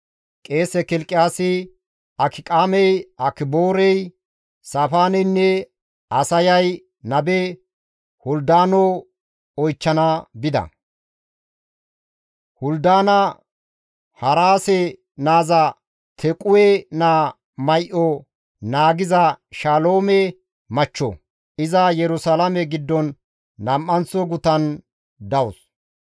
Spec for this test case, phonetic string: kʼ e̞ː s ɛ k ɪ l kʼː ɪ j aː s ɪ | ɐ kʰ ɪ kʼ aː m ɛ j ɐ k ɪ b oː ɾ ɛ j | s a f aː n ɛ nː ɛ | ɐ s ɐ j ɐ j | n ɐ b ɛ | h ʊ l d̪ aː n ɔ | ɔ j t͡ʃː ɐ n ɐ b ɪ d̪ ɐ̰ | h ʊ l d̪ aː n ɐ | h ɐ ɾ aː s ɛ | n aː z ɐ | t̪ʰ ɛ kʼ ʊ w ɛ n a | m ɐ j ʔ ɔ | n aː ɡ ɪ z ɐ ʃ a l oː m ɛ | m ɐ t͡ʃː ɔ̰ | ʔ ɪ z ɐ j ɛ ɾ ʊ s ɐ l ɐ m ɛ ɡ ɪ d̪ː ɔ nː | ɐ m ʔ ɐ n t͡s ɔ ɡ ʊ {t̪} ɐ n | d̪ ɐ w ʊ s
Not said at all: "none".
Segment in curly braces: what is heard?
t̪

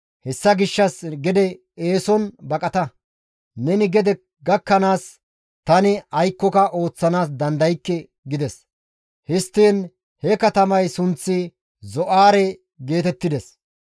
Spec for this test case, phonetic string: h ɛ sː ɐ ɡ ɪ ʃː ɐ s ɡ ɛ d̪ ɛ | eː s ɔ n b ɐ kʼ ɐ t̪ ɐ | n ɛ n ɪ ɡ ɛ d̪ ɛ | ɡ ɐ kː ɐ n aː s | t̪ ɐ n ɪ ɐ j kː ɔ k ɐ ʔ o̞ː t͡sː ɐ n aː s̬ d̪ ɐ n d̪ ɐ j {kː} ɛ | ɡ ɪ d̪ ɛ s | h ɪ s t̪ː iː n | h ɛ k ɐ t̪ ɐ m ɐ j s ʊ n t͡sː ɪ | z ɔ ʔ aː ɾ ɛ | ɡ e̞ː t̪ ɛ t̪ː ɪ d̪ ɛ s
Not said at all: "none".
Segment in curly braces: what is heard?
kː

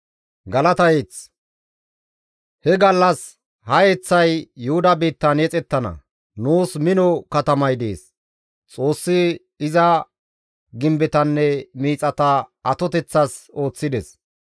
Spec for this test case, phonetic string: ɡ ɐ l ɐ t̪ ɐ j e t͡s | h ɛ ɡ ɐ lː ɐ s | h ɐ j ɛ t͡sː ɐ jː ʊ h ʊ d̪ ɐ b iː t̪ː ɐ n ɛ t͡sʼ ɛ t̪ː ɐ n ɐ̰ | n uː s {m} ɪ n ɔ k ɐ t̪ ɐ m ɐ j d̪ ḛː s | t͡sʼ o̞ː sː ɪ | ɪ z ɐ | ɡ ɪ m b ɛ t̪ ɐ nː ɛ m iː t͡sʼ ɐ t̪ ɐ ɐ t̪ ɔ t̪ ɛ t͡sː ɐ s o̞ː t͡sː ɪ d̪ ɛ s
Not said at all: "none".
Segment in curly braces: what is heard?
m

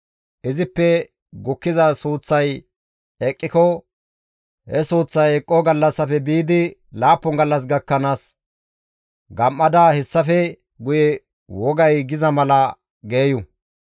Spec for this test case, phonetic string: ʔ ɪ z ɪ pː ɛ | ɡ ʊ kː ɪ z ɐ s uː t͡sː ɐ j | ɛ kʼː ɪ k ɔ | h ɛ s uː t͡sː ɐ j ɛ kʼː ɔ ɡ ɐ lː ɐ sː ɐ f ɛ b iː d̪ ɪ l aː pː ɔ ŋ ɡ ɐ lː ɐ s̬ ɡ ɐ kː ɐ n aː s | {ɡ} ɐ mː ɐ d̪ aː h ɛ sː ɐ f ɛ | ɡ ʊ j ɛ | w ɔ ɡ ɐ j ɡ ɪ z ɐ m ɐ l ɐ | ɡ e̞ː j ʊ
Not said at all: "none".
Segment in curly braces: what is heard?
ɡ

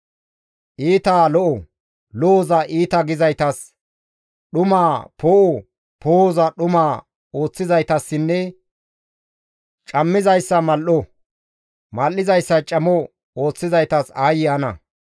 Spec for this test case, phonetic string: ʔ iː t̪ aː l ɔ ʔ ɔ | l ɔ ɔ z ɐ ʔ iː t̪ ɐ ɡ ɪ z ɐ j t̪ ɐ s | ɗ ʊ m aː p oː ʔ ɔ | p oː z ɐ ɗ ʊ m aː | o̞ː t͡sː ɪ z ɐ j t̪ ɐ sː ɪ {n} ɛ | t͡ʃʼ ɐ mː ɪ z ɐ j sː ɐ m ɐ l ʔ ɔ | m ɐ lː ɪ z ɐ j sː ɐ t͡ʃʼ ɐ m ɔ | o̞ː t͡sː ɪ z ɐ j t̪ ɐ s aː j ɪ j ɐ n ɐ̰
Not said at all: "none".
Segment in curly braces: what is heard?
nː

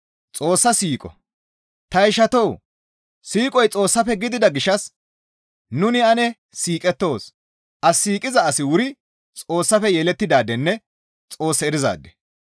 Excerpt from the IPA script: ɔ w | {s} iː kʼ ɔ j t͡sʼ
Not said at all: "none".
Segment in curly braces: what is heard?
s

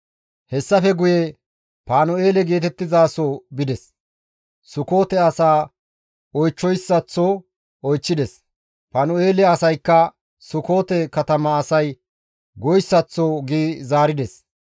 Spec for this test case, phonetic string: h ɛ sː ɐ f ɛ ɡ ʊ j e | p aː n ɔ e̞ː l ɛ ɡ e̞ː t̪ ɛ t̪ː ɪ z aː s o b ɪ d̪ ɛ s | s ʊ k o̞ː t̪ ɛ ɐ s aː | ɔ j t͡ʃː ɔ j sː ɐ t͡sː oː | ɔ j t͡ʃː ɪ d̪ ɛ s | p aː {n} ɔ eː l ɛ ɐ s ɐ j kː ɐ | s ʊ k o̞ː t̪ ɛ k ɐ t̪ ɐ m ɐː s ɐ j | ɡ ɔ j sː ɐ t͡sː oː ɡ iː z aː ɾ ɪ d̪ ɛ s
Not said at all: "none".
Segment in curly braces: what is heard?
n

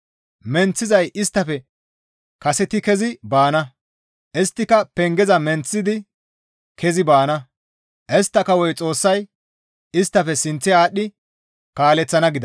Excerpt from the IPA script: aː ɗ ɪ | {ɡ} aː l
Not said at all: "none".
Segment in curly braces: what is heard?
k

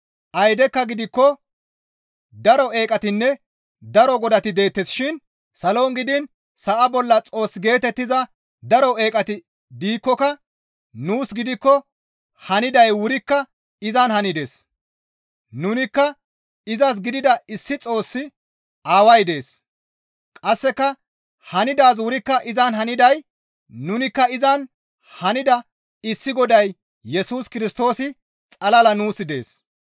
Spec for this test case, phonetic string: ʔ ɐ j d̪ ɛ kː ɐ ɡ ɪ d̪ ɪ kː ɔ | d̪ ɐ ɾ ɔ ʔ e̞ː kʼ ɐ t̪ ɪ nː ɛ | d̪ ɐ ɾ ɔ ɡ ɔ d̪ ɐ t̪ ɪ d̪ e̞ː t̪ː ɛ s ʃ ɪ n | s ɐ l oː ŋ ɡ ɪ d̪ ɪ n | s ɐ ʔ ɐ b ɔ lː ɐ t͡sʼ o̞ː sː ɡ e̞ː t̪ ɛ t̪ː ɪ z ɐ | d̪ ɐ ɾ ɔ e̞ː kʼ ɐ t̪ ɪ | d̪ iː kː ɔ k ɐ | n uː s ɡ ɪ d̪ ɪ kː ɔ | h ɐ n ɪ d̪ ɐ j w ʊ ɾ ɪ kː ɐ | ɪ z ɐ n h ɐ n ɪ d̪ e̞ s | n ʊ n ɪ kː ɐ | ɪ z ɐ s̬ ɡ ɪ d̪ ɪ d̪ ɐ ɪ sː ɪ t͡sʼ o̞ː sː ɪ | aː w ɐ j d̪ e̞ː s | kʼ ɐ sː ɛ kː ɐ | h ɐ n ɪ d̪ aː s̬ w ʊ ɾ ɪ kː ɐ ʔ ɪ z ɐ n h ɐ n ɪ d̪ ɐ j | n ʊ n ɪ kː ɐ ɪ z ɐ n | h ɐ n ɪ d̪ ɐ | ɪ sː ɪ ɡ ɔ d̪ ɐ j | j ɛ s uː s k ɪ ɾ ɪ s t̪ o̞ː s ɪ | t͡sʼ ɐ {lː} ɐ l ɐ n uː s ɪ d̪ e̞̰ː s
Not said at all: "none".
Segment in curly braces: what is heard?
l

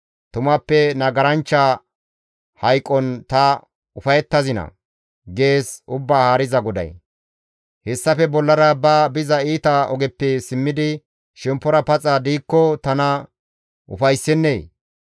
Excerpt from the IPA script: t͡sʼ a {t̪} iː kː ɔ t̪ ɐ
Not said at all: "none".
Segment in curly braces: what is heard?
d̪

